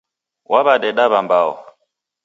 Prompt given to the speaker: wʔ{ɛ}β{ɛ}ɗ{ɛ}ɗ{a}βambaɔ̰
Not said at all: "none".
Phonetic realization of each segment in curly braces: a, a, ɛ, a

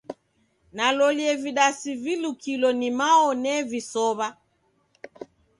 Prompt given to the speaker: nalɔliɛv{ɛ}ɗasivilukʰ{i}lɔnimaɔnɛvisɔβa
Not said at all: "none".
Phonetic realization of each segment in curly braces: i, i

